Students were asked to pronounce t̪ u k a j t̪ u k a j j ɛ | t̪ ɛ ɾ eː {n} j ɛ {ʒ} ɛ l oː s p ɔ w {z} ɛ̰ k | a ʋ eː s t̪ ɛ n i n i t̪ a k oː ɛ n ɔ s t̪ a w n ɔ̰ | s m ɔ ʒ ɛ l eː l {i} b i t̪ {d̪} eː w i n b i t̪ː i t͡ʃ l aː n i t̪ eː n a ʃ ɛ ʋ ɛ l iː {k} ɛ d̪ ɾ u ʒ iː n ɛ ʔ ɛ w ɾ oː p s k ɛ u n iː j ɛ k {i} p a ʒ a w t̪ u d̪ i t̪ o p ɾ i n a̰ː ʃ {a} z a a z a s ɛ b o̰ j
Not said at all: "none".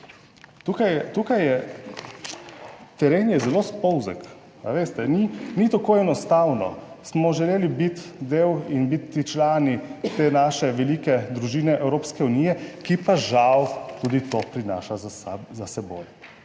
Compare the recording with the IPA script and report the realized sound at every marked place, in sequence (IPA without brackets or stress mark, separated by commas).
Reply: n, z, z, i, d̪, k, i, a